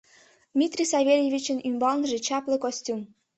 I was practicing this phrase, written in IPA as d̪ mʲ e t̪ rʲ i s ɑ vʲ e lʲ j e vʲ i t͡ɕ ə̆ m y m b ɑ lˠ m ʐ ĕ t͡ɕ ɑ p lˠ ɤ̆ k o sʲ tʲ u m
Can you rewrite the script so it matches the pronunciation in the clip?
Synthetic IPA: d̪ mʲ i t̪ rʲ i s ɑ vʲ e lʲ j e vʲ i t͡ɕ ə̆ n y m b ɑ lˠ n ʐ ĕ t͡ɕ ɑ p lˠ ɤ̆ k o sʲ tʲ u m